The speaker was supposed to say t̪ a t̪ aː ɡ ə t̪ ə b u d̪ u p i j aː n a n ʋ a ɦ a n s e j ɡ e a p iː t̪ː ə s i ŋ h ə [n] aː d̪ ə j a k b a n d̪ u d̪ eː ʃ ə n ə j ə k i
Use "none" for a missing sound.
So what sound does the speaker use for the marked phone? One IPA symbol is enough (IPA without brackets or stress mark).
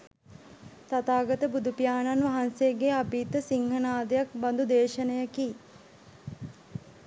n